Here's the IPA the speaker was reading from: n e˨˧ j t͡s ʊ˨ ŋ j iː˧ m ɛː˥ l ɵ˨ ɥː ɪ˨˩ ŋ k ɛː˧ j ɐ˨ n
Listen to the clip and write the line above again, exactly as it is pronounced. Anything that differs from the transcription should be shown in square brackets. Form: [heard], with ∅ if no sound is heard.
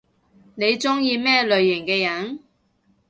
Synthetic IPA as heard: n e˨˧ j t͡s [ʊ˥] ŋ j iː˧ m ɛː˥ l ɵ˨ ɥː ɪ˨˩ ŋ k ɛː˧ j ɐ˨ n